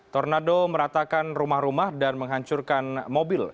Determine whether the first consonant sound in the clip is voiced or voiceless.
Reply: voiceless